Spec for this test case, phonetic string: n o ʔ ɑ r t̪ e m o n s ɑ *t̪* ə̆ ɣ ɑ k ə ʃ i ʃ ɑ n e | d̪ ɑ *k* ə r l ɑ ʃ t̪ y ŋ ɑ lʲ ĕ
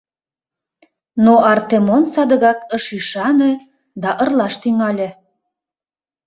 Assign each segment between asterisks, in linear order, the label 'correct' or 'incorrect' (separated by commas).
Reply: incorrect, incorrect